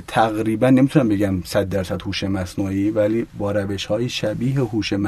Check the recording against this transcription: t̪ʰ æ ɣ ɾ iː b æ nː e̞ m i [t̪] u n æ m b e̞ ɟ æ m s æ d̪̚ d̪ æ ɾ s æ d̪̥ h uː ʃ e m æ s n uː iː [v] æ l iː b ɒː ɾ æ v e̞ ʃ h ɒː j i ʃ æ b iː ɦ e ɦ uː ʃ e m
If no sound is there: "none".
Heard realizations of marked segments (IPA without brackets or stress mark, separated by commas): t̪, v